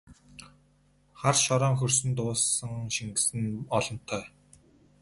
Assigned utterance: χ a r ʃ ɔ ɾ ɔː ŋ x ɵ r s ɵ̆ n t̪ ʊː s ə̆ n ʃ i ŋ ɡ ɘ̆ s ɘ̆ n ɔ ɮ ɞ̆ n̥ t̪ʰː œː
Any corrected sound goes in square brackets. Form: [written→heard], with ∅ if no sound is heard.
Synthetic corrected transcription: χ a r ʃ ɔ ɾ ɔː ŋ x ɵ r s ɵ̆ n t̪ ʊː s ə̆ [n→ŋ] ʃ i ŋ ɡ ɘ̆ s ɘ̆ n ɔ ɮ ɞ̆ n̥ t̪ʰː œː

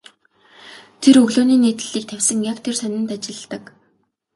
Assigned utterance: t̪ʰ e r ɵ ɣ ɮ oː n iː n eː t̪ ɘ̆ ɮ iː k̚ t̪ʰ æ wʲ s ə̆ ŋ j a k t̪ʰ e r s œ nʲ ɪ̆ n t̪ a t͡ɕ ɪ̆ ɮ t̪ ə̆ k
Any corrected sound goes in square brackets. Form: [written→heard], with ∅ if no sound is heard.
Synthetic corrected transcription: t̪ʰ e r ɵ ɣ ɮ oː n iː n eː t̪ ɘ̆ ɮ iː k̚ t̪ʰ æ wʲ s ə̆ ŋ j a k t̪ʰ e r s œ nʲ ɪ̆ n t̪ a t͡ɕ ɪ̆ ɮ t̪ ə̆ k

